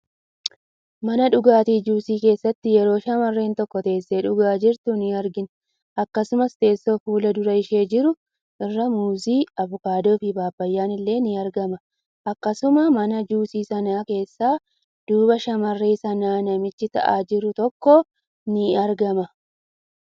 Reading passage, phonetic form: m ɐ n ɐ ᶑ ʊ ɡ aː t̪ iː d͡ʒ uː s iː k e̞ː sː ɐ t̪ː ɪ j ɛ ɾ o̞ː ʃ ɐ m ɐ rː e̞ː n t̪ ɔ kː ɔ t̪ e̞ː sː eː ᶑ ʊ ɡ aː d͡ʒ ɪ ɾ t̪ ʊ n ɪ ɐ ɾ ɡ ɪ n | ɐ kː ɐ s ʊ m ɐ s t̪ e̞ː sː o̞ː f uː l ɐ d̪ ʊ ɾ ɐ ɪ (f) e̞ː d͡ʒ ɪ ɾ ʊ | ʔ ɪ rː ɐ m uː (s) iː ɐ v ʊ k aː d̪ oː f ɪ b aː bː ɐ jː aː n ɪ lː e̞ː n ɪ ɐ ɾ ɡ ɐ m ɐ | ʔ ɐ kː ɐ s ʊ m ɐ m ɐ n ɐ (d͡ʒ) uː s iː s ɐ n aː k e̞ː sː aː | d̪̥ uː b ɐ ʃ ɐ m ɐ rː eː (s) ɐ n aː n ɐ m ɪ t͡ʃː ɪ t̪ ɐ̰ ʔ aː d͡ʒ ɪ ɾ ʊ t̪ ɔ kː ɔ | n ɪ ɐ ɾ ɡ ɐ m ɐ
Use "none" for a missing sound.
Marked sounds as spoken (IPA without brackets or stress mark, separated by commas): ʃ, z, d͡ʒ, s